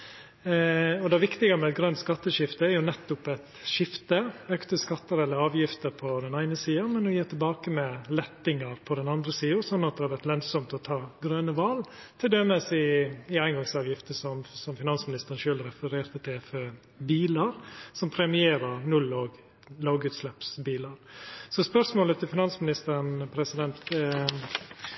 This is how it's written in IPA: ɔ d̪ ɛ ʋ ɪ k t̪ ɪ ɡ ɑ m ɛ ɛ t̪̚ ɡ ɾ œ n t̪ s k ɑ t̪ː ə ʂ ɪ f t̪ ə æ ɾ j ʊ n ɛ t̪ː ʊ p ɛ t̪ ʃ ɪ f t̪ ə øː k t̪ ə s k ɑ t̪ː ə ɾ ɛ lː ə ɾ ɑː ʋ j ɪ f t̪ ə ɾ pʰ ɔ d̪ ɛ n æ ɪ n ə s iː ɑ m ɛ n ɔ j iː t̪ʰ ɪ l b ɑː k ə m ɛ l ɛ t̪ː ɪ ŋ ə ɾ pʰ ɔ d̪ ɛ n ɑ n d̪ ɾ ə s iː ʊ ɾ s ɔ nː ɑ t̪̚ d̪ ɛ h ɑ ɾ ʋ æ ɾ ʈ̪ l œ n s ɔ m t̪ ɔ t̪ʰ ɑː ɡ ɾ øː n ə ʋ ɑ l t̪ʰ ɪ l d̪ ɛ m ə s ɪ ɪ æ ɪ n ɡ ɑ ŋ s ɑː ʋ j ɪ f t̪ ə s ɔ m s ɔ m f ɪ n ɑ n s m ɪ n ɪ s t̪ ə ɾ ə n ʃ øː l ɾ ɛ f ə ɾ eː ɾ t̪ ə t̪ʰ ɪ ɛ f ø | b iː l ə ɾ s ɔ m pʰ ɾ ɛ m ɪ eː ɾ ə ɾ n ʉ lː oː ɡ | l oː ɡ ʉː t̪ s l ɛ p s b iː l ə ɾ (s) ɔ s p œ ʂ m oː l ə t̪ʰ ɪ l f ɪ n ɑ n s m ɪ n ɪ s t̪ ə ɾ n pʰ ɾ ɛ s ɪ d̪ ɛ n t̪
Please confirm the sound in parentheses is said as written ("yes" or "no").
yes